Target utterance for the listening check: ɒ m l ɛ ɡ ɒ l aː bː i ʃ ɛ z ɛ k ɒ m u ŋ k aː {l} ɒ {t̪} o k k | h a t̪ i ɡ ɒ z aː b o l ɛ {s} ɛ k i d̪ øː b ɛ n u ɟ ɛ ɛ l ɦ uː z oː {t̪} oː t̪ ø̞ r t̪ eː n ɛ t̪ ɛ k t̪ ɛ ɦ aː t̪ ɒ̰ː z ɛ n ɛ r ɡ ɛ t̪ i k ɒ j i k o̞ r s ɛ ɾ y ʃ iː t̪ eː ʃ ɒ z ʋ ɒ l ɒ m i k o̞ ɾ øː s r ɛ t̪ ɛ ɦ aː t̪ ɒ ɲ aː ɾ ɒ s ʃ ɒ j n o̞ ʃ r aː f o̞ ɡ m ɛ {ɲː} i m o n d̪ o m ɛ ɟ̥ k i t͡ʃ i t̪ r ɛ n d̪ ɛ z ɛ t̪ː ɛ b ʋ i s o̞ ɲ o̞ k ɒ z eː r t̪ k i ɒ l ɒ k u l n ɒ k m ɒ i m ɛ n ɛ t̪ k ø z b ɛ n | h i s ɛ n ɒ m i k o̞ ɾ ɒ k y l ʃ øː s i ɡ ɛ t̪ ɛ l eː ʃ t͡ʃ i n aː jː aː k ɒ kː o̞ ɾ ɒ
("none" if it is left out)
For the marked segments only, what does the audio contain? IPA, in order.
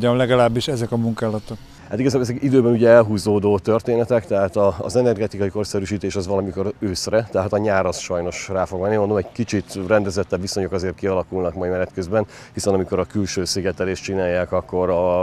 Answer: l, t̪, z, d̪, nː

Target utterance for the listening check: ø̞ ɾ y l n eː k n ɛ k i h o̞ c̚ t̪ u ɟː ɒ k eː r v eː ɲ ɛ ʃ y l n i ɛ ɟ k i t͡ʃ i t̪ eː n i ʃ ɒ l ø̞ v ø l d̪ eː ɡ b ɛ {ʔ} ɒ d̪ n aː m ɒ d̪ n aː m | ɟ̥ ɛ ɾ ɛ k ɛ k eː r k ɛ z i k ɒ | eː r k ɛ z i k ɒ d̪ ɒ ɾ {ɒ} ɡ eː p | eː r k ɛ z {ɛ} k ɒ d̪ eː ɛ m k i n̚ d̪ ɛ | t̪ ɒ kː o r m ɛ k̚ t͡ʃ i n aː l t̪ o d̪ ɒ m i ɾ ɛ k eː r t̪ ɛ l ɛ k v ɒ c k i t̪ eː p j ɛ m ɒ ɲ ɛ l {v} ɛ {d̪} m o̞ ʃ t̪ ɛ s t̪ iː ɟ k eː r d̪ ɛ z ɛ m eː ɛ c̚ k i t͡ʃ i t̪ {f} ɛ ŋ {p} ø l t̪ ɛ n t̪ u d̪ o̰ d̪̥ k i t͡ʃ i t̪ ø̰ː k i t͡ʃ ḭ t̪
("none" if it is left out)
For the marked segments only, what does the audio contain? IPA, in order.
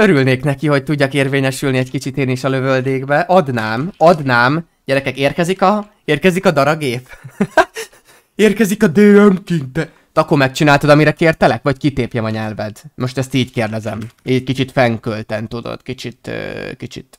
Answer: ʔ, ɒ, i, v, d̪, f, k

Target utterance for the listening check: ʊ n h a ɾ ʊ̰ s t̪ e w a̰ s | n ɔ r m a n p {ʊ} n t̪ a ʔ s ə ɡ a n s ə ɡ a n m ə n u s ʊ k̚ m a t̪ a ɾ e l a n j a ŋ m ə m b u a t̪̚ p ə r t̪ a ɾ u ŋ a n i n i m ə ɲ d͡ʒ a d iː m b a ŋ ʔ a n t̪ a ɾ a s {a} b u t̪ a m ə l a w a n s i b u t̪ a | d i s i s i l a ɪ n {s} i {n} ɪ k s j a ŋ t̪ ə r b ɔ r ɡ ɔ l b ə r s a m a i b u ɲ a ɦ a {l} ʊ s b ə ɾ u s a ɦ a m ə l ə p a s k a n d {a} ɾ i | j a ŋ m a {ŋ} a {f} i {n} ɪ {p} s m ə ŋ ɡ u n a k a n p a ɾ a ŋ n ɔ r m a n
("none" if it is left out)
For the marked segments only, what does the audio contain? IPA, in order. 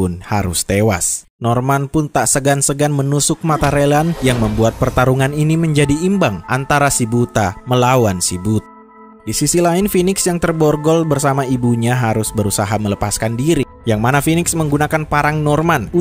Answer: ʊ, i, f, n, ɾ, i, n, f, n, k

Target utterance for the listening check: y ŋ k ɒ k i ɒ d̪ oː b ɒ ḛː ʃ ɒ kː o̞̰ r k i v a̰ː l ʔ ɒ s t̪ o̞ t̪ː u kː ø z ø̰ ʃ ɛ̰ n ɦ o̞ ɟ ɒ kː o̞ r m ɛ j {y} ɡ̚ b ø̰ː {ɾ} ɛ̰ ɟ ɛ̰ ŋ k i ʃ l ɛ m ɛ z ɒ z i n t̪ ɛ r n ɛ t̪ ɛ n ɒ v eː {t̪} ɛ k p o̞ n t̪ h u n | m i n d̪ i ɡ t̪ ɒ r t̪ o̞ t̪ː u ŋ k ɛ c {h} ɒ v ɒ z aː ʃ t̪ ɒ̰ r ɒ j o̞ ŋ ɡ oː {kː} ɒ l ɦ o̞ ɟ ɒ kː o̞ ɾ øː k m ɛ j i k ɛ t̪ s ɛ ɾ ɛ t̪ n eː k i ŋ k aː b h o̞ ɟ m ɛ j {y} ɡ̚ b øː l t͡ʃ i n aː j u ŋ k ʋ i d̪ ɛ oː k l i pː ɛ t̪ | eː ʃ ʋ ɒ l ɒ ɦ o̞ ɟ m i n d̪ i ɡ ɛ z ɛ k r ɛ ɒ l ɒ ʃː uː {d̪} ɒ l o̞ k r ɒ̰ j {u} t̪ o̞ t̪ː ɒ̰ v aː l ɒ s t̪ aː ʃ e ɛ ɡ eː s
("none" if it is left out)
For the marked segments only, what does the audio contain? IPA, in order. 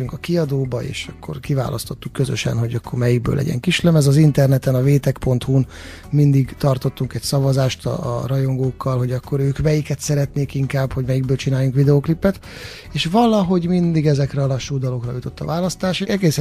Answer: i, l, t̪, s, kː, i, d̪, u

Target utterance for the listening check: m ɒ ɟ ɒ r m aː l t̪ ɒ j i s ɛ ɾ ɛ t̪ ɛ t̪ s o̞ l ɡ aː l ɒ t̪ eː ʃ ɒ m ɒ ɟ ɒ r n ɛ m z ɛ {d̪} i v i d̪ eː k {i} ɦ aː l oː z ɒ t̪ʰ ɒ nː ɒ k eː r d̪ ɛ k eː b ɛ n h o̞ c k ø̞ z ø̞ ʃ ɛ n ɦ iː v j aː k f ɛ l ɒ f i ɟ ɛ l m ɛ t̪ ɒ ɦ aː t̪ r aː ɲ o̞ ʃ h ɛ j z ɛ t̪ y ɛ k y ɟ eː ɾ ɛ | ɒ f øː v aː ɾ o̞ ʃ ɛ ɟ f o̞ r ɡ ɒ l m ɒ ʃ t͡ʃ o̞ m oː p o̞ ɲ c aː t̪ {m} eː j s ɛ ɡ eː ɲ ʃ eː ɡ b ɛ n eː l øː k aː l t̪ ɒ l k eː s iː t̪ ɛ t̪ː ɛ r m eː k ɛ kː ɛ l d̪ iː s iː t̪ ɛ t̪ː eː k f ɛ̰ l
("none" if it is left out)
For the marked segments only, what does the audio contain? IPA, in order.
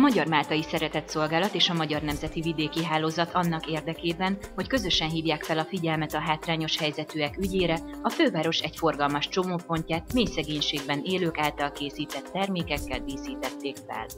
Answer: t̪, i, m

